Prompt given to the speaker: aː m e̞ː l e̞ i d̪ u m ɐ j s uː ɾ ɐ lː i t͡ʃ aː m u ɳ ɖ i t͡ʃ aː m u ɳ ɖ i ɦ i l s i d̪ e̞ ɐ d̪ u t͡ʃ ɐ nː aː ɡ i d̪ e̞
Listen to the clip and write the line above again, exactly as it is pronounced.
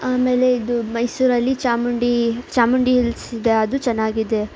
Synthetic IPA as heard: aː m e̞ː l e̞ i d̪ u m ɐ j s uː ɾ ɐ lː i t͡ʃ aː m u ɳ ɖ i t͡ʃ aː m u ɳ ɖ i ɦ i l s i d̪ e̞ ɐ d̪ u t͡ʃ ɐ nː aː ɡ i d̪ e̞